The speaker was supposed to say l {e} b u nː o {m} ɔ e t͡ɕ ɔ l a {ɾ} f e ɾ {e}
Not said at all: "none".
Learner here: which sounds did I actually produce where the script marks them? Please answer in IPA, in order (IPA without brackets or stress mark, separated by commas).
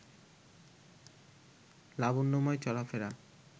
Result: a, m, none, a